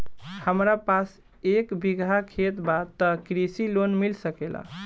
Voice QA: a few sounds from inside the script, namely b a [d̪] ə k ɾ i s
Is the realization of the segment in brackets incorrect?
yes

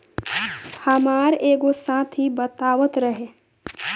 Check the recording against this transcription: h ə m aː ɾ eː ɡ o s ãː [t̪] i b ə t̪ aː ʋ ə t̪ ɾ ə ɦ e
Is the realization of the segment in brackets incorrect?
yes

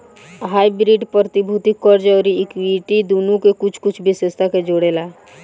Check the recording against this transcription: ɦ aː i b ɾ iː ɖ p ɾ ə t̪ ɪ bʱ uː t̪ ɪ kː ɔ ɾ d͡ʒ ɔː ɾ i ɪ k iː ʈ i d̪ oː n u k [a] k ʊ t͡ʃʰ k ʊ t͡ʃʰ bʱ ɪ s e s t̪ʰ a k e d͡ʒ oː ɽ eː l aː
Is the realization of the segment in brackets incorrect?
yes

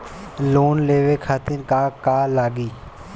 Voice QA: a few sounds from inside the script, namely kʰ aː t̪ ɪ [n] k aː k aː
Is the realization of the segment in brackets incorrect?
no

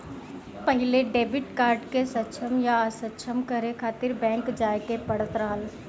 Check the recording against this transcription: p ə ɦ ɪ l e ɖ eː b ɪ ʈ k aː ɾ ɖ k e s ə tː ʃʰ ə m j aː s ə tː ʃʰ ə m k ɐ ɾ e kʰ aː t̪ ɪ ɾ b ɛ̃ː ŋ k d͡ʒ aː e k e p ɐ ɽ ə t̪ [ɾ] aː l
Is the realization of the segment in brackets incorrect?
no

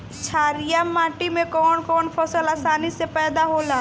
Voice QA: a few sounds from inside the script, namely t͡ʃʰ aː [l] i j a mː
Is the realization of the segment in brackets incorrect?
yes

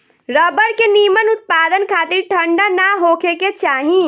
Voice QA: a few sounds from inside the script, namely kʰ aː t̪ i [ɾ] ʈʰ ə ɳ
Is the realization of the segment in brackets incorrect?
no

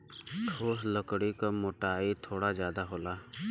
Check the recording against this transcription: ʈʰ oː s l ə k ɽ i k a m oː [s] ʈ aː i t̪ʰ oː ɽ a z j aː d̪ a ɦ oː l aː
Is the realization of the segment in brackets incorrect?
yes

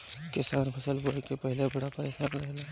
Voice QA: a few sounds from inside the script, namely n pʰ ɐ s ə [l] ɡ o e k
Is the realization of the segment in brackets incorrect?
no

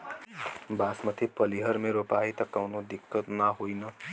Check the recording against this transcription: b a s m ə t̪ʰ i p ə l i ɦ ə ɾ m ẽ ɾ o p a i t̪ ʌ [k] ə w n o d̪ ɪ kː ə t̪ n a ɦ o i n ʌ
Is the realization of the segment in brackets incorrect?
no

